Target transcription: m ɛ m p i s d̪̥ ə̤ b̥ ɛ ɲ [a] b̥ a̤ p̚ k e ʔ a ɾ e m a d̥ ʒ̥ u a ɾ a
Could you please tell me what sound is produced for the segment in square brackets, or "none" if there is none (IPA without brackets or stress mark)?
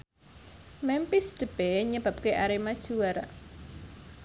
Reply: ə